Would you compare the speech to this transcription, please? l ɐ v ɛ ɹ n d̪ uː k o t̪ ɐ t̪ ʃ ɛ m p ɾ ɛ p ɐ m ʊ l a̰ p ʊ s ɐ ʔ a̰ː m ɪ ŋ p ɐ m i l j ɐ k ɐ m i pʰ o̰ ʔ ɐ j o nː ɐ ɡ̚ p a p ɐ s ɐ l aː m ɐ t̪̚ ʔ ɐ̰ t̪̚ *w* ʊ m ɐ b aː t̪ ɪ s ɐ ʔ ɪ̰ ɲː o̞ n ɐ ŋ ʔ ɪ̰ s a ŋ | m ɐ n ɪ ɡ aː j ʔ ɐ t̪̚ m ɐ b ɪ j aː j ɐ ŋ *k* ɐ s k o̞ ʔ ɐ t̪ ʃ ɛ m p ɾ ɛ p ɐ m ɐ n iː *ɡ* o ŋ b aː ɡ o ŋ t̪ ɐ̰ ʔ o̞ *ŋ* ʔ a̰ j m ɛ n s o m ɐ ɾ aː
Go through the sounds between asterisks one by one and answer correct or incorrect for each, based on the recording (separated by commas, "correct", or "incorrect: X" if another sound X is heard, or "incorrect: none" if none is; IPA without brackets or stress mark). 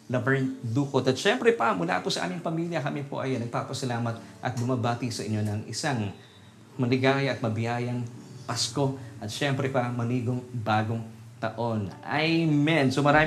incorrect: b, incorrect: p, correct, incorrect: n